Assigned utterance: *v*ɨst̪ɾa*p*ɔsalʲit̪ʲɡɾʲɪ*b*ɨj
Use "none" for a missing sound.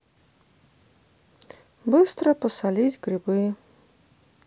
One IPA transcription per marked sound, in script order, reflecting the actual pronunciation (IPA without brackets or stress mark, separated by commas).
b, p, b